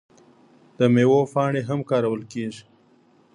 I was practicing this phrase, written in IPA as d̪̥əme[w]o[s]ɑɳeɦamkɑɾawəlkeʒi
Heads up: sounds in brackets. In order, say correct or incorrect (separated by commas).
correct, incorrect